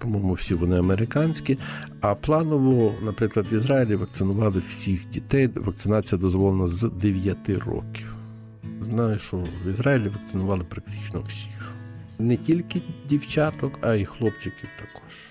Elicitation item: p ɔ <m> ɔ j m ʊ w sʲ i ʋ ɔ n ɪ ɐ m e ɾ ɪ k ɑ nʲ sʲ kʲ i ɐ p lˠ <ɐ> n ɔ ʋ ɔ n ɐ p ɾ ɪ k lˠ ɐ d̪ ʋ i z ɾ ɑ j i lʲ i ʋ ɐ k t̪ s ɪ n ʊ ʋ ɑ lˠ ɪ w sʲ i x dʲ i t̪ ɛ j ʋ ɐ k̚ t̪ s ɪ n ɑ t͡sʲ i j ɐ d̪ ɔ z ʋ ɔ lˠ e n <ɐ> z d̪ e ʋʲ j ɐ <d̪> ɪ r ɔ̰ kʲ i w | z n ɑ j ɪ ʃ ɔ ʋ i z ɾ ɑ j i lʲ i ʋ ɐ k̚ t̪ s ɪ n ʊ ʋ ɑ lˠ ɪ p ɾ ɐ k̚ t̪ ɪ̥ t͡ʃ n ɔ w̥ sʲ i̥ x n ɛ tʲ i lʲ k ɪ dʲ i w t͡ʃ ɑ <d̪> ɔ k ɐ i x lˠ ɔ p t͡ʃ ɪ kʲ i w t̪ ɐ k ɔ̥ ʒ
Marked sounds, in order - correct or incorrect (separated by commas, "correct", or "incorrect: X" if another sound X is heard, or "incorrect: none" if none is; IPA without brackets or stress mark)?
correct, incorrect: ɑ, correct, incorrect: t̪, incorrect: t̪